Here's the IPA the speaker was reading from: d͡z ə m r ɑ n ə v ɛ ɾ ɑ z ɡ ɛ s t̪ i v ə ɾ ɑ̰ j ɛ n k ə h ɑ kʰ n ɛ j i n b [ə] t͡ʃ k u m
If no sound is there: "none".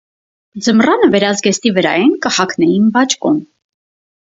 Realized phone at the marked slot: ɑ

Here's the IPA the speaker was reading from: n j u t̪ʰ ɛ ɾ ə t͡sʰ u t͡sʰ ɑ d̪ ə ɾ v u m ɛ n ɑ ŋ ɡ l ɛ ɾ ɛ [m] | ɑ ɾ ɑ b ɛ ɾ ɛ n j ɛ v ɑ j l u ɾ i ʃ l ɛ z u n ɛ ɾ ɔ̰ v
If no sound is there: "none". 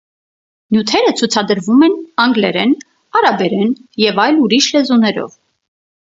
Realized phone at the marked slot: n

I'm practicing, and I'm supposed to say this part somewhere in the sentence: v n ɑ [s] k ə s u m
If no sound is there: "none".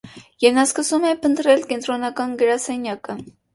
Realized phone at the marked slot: s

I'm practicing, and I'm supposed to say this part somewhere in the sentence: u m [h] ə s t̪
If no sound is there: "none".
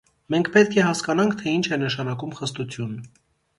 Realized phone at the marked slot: χ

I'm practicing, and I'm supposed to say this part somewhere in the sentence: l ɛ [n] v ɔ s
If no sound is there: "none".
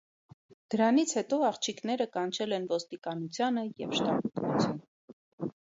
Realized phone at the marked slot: n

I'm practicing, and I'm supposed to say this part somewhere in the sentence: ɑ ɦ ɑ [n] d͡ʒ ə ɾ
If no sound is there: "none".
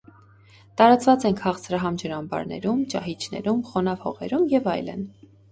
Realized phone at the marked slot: m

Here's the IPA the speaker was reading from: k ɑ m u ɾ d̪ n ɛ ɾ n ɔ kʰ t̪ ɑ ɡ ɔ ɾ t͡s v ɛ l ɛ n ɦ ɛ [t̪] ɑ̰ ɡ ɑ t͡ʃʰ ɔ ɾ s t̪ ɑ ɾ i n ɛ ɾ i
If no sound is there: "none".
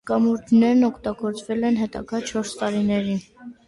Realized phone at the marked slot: t̪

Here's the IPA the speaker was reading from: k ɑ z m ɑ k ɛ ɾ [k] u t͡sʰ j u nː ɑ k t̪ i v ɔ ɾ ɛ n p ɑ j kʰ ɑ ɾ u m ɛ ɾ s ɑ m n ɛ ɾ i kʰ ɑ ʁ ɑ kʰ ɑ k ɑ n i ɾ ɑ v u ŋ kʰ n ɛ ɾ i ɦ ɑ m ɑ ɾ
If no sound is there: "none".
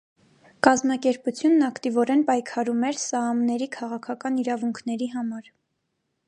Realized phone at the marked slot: p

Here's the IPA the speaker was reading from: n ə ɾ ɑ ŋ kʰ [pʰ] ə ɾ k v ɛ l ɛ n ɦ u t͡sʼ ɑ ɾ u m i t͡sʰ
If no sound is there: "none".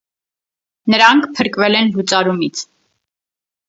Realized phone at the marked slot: pʰ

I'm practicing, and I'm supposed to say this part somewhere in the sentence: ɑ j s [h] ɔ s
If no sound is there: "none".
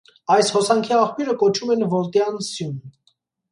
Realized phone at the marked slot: h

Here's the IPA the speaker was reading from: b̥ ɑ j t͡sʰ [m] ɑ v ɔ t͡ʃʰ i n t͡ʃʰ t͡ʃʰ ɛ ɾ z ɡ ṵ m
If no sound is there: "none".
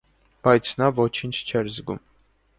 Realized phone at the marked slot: n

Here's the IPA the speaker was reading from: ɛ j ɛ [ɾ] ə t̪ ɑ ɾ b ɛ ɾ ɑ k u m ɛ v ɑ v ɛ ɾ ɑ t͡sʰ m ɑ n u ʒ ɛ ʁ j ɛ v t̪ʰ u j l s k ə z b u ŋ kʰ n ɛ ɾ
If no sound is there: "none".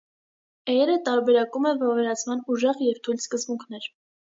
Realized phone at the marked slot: ɾ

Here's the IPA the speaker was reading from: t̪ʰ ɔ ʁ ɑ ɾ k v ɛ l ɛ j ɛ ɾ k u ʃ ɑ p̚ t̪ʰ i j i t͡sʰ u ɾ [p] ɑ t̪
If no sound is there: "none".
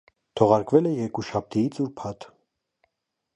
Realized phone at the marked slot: pʰ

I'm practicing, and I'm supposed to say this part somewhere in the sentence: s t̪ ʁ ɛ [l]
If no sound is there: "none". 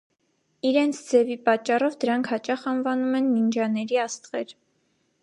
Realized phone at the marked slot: ɾ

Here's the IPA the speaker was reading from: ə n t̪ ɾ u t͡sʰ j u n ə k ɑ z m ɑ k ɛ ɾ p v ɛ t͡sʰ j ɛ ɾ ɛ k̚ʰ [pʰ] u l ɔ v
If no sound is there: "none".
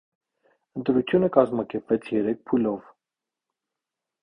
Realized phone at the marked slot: pʰ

